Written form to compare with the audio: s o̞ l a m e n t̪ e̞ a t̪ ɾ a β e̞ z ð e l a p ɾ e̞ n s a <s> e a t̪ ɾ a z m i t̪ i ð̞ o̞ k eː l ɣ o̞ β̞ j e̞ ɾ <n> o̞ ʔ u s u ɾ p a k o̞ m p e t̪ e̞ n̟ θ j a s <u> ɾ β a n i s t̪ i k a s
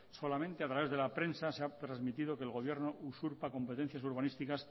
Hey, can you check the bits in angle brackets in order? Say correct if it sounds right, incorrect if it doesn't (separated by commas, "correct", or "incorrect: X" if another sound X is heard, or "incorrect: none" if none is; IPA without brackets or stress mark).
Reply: correct, correct, correct